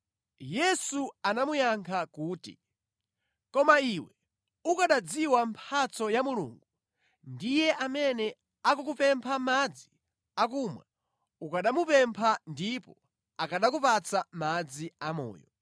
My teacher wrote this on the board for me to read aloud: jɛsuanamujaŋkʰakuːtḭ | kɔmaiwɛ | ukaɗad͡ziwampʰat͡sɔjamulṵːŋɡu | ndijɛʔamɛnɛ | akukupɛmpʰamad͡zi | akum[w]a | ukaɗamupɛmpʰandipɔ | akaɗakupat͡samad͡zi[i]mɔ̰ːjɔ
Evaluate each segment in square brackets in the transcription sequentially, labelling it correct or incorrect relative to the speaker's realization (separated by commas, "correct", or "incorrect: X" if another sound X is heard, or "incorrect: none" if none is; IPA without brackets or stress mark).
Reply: correct, incorrect: a